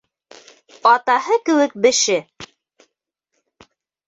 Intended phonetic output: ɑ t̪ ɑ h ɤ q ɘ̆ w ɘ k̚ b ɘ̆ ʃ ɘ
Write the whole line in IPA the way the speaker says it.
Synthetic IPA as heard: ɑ t̪ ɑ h ɤ k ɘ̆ w ɘ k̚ b ɘ̆ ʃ ɘ